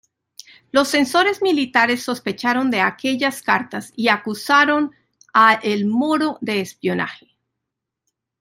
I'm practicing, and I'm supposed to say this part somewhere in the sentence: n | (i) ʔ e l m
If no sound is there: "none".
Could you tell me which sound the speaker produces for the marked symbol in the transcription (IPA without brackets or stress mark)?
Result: a